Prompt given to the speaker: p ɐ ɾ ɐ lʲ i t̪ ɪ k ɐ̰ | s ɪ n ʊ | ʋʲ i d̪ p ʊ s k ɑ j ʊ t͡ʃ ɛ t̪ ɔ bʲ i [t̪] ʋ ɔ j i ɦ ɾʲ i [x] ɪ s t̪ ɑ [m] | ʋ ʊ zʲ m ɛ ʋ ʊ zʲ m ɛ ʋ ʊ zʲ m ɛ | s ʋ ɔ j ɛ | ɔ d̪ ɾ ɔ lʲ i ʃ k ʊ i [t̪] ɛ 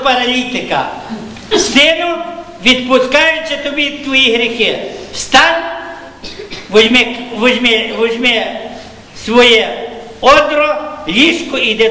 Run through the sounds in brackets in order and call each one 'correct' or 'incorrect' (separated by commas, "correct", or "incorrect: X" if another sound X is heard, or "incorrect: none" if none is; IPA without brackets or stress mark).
correct, correct, incorrect: n, incorrect: d̪